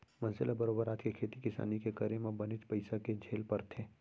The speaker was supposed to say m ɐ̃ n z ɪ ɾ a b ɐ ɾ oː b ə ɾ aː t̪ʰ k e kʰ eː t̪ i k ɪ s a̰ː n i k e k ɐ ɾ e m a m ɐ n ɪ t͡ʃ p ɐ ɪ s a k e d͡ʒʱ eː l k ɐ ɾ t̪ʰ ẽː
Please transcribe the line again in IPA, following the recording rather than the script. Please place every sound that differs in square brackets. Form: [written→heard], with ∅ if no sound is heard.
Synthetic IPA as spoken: m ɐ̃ n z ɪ [ɾ→l] a b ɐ ɾ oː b ə ɾ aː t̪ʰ k e kʰ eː t̪ i k ɪ s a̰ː n i k e k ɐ ɾ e m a [m→b] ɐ n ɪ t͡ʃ p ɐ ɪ s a k e d͡ʒʱ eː l [k→p] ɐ ɾ t̪ʰ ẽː

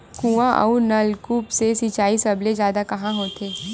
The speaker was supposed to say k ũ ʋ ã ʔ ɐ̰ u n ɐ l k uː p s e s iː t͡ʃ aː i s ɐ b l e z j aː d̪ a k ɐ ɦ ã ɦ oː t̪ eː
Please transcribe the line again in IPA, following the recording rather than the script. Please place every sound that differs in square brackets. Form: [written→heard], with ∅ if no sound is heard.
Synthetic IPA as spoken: k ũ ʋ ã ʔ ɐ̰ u n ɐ l k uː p s e s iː t͡ʃ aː i s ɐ b l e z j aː d̪ a k ɐ ɦ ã ɦ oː t̪ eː

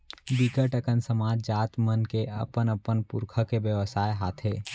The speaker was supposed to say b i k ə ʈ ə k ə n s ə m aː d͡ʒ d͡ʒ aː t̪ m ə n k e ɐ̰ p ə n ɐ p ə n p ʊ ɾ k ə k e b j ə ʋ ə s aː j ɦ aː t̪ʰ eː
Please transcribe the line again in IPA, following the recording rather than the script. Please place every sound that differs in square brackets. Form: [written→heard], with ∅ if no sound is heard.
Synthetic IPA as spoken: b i k ə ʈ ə k ə n s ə m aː d͡ʒ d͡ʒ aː t̪ m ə n k e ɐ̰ p ə n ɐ p ə n p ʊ ɾ [k→kʰ] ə k e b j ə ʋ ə s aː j ɦ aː t̪ʰ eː

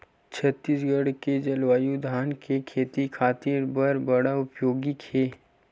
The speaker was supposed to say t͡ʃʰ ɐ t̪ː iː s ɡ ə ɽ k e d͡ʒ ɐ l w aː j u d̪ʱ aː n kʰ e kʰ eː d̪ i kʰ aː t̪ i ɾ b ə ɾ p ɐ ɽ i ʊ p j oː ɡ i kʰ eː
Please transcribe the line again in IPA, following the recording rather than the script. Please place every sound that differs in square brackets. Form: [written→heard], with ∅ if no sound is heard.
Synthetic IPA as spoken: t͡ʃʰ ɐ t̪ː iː s ɡ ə ɽ k e d͡ʒ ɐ l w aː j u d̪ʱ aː n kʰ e kʰ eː [d̪→t̪] i kʰ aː t̪ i ɾ b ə ɾ [p→b] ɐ ɽ [i→a] ʊ p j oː ɡ i kʰ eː

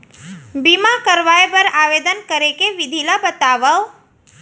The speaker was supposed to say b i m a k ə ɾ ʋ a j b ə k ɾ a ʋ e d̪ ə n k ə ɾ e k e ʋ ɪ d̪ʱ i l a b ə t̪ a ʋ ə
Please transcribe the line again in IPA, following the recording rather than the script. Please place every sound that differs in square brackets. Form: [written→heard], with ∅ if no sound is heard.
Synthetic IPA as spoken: b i m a k ə ɾ ʋ a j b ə [k→∅] ɾ a ʋ e d̪ ə n k ə ɾ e k e ʋ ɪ d̪ʱ i l a b ə t̪ a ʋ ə

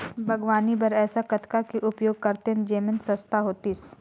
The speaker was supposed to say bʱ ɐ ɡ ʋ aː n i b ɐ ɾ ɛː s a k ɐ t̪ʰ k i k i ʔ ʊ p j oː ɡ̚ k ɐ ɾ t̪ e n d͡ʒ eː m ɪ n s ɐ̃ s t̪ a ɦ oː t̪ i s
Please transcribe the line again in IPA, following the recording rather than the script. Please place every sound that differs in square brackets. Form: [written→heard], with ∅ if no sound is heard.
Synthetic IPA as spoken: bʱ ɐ ɡ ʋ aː n i b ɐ ɾ ɛː s a k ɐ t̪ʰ k [i→a] k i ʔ ʊ p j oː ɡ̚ k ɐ ɾ t̪ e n d͡ʒ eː m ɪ n s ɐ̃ s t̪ a ɦ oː t̪ i s

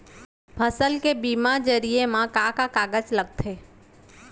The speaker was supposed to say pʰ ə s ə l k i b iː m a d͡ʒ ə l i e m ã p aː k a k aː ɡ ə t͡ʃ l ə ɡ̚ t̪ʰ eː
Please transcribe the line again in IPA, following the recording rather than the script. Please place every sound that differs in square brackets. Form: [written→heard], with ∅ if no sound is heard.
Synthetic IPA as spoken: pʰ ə s ə l k [i→e] b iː m a d͡ʒ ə [l→ɾ] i e m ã [p→k] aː k a k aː ɡ ə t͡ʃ l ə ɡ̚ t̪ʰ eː

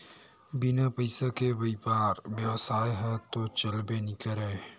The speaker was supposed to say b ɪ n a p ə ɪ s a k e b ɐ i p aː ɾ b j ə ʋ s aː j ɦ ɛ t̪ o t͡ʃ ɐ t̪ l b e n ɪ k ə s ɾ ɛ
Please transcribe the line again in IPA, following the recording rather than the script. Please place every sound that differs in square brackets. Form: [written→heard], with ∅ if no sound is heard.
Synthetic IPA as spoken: b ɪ n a p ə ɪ s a k e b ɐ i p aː ɾ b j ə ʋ s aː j ɦ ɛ t̪ o t͡ʃ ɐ [t̪→∅] l b e n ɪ k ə [s→∅] ɾ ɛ

